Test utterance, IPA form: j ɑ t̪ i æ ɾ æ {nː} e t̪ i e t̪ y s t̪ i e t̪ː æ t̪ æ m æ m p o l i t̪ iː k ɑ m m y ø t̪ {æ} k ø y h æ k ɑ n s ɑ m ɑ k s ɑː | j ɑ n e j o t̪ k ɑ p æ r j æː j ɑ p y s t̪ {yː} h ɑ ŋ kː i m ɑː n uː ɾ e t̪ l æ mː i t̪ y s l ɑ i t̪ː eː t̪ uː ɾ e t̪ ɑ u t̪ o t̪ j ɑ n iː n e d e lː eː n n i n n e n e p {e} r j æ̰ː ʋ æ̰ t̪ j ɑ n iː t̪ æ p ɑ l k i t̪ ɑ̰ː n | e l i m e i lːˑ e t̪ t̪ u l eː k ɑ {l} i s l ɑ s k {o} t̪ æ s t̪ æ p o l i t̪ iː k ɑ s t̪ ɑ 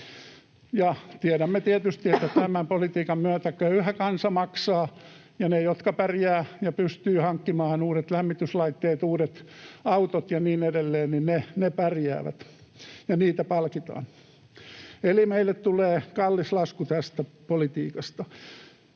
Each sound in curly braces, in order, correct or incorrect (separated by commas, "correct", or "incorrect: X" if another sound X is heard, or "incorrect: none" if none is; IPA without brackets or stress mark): incorrect: mː, correct, correct, incorrect: æ, incorrect: lː, incorrect: u